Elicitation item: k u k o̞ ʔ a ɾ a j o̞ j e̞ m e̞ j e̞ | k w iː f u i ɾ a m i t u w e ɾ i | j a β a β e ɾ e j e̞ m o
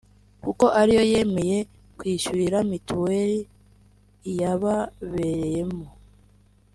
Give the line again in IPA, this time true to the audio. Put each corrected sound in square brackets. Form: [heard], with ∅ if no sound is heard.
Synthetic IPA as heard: k u k o̞ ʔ a ɾ [i] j o̞ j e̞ m e̞ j e̞ | k w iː [ʃ] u i ɾ a m i t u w e ɾ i | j a β a β e ɾ e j e̞ m o